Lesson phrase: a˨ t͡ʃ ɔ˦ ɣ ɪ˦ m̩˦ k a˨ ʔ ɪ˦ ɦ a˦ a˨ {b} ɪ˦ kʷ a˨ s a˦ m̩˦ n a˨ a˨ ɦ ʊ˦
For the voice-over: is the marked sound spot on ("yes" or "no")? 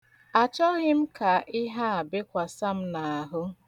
yes